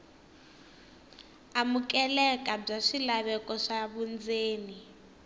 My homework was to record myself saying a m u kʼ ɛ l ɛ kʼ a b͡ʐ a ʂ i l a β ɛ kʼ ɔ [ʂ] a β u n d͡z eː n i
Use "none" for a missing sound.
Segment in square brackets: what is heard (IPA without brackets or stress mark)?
ʂ